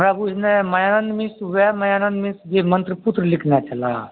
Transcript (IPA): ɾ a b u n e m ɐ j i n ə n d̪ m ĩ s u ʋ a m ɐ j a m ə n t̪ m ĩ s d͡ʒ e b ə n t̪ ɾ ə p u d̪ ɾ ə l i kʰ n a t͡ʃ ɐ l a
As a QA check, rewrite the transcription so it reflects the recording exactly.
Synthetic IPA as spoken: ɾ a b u n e m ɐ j a n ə n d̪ m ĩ s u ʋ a m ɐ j a n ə n d̪ m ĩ s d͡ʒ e m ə n t̪ ɾ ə p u t̪ ɾ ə l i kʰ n a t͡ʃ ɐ l a